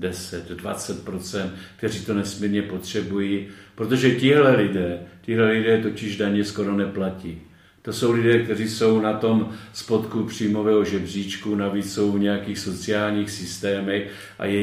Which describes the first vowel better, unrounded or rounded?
unrounded